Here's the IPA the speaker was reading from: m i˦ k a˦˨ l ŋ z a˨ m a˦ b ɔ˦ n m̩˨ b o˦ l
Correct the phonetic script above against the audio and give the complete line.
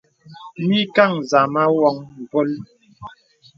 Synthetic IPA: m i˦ k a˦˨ ŋ z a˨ m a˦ w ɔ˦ ŋ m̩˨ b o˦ l